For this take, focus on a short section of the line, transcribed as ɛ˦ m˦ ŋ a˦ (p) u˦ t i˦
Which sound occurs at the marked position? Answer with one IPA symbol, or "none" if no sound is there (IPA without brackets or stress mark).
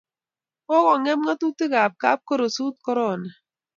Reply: t